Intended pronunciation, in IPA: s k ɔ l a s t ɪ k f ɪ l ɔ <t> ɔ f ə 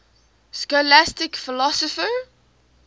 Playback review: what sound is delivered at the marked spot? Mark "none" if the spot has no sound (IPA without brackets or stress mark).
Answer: s